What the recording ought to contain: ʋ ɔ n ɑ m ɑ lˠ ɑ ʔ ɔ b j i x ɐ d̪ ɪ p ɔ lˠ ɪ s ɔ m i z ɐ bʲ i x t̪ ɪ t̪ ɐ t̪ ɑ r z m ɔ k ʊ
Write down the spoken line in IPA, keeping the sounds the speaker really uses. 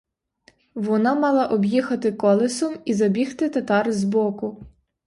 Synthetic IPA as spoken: ʋ ɔ n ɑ m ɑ lˠ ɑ ʔ ɔ b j i x ɐ t̪ ɪ k ɔ lˠ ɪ s ɔ m i z ɐ bʲ i x t̪ ɪ t̪ ɐ t̪ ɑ r z b ɔ k ʊ